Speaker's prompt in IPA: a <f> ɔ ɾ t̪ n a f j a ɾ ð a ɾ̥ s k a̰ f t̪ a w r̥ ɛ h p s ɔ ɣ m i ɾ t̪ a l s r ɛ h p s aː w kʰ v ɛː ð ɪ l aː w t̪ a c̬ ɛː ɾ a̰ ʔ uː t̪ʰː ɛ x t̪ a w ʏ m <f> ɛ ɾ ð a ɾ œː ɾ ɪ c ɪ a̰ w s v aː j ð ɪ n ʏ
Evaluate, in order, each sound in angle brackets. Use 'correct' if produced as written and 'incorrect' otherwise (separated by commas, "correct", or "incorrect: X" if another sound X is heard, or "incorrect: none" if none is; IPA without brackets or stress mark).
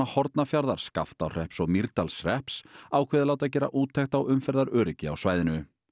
incorrect: h, correct